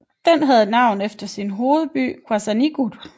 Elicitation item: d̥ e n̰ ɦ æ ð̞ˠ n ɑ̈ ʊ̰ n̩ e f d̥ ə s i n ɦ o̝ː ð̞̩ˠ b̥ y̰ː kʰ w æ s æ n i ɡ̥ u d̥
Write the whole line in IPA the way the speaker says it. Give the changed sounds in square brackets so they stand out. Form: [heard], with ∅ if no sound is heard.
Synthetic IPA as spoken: d̥ e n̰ ɦ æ ð̞ˠ n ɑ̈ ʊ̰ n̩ e f d̥ [ɐ] s i n ɦ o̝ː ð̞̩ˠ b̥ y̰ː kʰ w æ s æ n i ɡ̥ u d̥